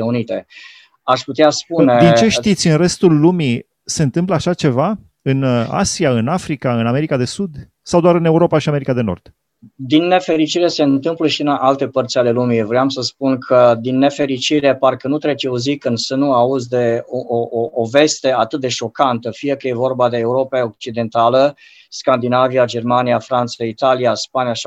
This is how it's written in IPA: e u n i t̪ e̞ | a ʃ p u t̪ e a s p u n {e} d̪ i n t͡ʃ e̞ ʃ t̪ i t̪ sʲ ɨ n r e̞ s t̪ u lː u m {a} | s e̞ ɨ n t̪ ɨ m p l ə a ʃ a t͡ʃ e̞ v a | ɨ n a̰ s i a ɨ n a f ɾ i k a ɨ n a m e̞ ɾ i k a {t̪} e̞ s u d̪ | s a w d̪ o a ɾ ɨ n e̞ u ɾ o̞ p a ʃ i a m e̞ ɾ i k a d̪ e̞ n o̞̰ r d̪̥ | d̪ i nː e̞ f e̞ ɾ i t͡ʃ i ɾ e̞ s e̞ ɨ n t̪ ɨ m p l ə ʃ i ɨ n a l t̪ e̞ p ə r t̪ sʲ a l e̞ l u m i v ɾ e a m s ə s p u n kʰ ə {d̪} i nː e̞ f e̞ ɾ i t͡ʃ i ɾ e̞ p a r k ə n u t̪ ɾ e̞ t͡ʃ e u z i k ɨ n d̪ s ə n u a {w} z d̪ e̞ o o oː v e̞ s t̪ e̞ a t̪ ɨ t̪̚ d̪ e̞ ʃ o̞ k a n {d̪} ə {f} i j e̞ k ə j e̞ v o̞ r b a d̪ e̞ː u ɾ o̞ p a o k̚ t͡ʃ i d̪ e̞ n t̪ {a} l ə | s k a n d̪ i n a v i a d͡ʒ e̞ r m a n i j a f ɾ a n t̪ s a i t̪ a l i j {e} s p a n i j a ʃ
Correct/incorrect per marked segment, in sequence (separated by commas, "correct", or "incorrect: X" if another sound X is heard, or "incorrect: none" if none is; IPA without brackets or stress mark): correct, incorrect: i, incorrect: d̪, correct, incorrect: u, incorrect: t̪, correct, correct, incorrect: a